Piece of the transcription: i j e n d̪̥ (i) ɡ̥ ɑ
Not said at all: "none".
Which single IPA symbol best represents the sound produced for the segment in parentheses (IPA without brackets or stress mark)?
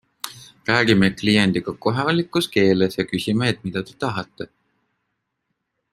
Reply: i